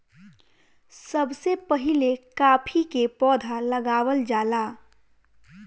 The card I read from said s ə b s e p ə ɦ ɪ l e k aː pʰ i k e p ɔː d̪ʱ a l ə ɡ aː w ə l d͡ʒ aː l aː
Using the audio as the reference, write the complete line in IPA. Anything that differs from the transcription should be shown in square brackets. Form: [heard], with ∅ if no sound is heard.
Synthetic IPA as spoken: s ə b s e p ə ɦ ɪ l e k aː pʰ i k e p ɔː d̪ʱ a l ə ɡ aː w ə l d͡ʒ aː l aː